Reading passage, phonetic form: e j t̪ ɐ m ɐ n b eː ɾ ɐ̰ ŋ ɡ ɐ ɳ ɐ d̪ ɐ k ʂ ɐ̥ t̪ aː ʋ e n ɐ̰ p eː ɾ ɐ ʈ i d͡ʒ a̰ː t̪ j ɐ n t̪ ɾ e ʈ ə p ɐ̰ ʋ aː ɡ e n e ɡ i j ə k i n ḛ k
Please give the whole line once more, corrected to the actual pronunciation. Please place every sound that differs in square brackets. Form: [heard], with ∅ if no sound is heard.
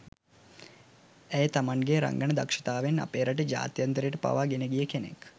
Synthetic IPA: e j t̪ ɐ m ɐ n [ɡ] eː ɾ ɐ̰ ŋ ɡ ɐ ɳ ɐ d̪ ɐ k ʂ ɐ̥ t̪ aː ʋ e n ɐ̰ p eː ɾ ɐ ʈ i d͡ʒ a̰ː t̪ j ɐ n t̪ ɾ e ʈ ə p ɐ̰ ʋ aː ɡ e n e ɡ i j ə k [e] n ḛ k